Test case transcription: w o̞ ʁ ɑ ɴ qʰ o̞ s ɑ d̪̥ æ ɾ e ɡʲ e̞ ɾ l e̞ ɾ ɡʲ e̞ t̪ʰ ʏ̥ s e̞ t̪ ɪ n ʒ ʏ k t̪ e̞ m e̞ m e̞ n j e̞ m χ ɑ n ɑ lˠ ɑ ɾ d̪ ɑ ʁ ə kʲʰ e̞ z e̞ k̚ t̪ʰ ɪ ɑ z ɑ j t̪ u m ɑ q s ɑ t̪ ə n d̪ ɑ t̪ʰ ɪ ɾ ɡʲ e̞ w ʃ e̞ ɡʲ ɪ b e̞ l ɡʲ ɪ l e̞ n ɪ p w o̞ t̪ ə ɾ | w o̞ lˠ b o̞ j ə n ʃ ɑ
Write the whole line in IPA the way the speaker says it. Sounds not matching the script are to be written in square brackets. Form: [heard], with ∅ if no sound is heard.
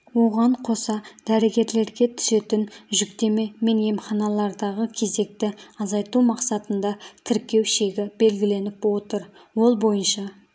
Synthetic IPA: w o̞ ʁ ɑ ɴ qʰ o̞ s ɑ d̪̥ æ ɾ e ɡʲ e̞ ɾ l e̞ ɾ ɡʲ e̞ t̪ʰ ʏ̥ s e̞ t̪ ɪ n ʒ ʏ k t̪ e̞ m e̞ m e̞ n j e̞ m χ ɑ n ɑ lˠ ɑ ɾ d̪ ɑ ʁ ə kʲʰ e̞ z e̞ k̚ [t̪] ɪ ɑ z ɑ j t̪ u m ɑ q s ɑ t̪ ə n d̪ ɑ t̪ʰ ɪ ɾ [kʲ] e̞ w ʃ e̞ ɡʲ ɪ b e̞ l ɡʲ ɪ l e̞ n ɪ p w o̞ t̪ ə ɾ | w o̞ lˠ b o̞ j ə n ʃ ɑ

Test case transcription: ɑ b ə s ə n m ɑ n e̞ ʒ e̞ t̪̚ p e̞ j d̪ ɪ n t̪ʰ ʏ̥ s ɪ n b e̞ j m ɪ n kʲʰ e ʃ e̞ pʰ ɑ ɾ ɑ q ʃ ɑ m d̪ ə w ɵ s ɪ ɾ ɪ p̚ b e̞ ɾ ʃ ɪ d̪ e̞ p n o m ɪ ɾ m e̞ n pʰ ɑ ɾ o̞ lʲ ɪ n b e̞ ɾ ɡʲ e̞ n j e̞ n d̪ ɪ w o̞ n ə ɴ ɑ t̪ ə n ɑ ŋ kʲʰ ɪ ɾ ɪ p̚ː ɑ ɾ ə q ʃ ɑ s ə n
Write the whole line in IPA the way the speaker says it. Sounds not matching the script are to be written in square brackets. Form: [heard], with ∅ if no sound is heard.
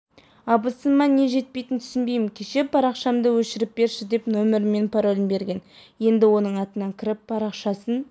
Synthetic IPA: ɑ b ə s ə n m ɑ n e̞ ʒ e̞ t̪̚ p e̞ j [t̪] ɪ n t̪ʰ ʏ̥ s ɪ n b e̞ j m ɪ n kʲʰ e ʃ e̞ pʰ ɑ ɾ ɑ q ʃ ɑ m d̪ ə w ɵ [ʃ] ɪ ɾ ɪ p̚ b e̞ ɾ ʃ ɪ d̪ e̞ p n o m ɪ ɾ m e̞ n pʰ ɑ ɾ o̞ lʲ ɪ n b e̞ ɾ ɡʲ e̞ n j e̞ n d̪ ɪ w o̞ n ə ɴ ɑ t̪ ə n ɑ ŋ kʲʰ ɪ ɾ ɪ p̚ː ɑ ɾ [ɑ] q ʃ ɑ s ə n

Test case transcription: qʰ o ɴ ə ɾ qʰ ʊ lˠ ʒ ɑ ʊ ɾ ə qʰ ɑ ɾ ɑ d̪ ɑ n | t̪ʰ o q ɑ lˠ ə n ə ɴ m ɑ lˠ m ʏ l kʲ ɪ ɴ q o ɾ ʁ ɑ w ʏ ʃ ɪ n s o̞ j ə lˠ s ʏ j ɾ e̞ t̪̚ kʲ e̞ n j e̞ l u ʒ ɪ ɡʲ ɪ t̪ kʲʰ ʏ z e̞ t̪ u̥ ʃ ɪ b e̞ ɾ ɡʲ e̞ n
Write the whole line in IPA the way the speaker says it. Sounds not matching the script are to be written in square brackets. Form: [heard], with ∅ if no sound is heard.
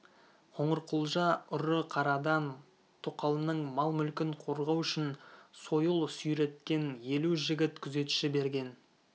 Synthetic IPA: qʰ o ɴ ə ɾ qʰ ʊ lˠ ʒ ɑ ʊ ɾ ə qʰ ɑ ɾ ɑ d̪ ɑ n | t̪ʰ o q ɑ lˠ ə n ə ɴ m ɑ lˠ m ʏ l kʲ ɪ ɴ [qʰ] o ɾ ʁ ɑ w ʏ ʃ ɪ n s o̞ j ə lˠ s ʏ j ɾ e̞ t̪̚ kʲ e̞ n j e̞ l u ʒ ɪ ɡʲ ɪ t̪ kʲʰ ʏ z e̞ t̪ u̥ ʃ ɪ b e̞ ɾ ɡʲ e̞ n

